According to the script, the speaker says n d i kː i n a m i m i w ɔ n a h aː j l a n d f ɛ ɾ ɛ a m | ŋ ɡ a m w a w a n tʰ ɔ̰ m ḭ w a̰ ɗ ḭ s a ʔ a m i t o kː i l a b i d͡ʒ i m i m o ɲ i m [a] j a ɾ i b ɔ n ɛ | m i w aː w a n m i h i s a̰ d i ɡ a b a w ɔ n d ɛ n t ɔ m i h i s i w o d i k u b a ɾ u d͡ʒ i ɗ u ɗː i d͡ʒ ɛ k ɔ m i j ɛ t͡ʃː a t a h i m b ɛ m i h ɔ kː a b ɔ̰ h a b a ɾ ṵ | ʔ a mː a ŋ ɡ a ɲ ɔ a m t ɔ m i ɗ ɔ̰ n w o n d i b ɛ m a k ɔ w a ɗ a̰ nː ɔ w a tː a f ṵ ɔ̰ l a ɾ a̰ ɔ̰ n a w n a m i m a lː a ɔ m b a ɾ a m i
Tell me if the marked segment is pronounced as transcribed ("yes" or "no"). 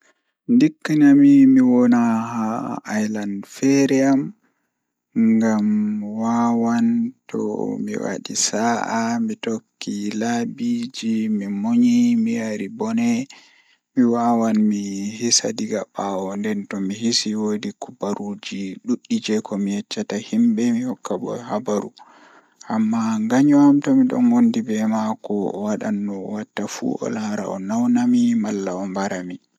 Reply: no